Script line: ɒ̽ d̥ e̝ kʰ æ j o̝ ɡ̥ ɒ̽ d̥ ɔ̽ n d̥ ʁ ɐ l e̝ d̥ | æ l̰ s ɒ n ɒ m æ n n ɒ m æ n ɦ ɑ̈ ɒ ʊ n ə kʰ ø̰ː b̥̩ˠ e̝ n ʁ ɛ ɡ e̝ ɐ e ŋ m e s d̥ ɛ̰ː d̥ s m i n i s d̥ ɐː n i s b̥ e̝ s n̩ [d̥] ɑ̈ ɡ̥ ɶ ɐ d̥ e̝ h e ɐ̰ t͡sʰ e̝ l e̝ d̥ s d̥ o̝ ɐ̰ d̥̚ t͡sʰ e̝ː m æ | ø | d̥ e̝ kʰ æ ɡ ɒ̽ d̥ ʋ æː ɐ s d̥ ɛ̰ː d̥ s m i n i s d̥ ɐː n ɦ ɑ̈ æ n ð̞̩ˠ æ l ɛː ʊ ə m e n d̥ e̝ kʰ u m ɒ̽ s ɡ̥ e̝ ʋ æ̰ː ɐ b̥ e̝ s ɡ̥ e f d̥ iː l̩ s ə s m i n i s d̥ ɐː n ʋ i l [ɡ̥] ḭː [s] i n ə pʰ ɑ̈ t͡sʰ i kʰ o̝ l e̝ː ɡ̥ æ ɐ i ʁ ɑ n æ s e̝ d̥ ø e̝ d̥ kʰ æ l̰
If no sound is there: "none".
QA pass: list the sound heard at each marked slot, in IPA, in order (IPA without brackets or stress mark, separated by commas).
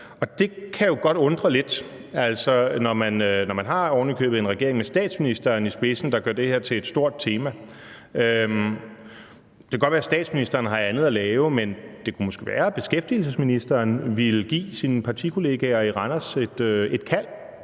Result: d̥, ɡ̥, s